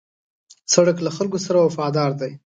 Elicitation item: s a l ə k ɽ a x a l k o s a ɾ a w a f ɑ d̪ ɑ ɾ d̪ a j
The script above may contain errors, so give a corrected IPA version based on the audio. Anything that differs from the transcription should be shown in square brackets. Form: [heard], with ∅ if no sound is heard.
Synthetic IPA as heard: s a [ɽ] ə k [l] a x a l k o s a ɾ a w a f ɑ d̪ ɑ ɾ d̪ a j

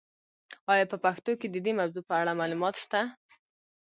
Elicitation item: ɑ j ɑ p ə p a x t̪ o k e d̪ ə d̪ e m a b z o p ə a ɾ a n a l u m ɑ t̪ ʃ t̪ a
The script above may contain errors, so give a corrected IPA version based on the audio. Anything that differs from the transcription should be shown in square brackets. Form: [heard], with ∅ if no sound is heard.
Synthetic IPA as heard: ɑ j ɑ p ə p a x t̪ o k e d̪ ə d̪ e m a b z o p ə a [ɽ] a [m] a l u m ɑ t̪ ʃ t̪ a

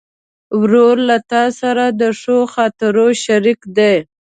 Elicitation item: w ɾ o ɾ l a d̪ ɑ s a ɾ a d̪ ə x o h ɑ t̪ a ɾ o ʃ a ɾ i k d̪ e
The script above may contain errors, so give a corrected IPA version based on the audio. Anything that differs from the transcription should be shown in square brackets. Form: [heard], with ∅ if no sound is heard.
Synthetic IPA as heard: w ɾ o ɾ l a [t̪] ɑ s a ɾ a d̪ ə [ʂ] o [x] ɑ t̪ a ɾ o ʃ a ɾ i k d̪ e

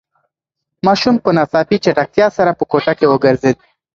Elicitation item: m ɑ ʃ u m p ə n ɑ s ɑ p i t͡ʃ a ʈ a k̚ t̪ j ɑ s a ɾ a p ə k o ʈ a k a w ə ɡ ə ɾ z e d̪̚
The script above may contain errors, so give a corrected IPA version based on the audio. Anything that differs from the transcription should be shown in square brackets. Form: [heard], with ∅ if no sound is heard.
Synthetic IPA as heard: m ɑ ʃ u m p ə n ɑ s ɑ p i t͡ʃ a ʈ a k̚ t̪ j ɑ s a ɾ a p ə k o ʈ a k [e] w ə ɡ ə ɾ z e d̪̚

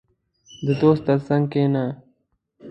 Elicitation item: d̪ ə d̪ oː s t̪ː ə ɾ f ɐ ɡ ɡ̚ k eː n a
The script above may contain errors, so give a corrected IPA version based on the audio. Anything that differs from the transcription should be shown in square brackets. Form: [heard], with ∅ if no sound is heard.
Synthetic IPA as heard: d̪ ə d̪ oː s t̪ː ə ɾ [s] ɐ [ŋ] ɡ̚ k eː n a

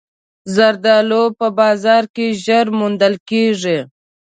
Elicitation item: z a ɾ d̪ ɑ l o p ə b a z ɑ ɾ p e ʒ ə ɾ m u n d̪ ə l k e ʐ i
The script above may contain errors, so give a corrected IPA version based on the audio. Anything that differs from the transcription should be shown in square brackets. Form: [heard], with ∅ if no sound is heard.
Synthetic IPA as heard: z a ɾ d̪ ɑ l o p ə b [ɑ] z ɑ ɾ [k] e ʒ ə ɾ m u n d̪ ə l k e ʐ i

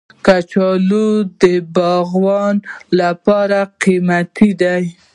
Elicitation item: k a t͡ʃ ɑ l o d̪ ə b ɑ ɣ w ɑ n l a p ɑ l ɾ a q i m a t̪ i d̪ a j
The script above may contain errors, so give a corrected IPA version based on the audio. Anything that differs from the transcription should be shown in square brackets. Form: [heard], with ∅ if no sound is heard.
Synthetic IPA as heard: k a t͡ʃ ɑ l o d̪ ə b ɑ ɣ w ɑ n l a p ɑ [∅] ɾ a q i m a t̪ i d̪ a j

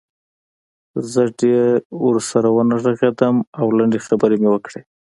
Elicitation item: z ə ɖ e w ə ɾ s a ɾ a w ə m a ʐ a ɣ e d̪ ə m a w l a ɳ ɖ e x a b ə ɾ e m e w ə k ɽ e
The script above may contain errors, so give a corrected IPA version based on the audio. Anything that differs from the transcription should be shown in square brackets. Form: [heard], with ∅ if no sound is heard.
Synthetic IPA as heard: z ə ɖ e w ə ɾ s a ɾ a w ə [n] a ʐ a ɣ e d̪ ə m a w l a ɳ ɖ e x a b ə ɾ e m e w ə k ɽ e

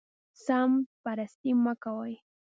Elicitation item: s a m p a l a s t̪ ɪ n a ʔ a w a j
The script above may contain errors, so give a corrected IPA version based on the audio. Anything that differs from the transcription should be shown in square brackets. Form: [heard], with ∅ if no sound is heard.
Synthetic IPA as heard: s a m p a [ɾ] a s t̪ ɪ [m] a [k] a w a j

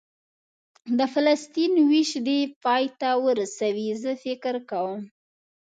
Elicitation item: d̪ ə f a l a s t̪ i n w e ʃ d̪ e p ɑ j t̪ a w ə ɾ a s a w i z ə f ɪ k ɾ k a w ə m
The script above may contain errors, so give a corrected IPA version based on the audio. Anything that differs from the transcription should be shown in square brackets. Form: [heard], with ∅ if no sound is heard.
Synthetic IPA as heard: d̪ ə f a l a s t̪ i n w [i] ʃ d̪ e p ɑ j t̪ a w ə ɾ a s a w i z ə f ɪ k ɾ k a w ə m

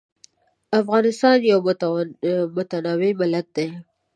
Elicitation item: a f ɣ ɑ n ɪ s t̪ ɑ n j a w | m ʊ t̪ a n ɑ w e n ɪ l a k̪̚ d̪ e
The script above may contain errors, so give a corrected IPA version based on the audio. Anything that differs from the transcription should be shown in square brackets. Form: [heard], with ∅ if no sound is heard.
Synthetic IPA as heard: a f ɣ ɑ n ɪ s t̪ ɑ n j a w | m ʊ t̪ a n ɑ w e [m] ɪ l a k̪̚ d̪ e

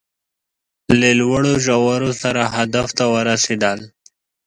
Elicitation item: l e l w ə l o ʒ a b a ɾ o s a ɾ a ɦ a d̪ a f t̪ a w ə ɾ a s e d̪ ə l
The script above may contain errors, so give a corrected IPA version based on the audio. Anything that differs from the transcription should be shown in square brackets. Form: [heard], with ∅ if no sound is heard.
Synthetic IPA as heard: l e l w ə [ɽ] o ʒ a [w] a ɾ o s a ɾ a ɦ a d̪ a f t̪ a w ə ɾ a s e d̪ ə l

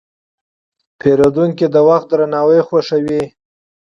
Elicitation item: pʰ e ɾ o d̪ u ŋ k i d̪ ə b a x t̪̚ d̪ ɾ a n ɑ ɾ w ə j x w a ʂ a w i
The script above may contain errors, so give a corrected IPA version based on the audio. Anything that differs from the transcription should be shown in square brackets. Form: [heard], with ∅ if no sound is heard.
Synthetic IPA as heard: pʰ e ɾ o d̪ u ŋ k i d̪ ə [w] a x t̪̚ d̪ ɾ a n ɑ [∅] w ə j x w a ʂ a w i

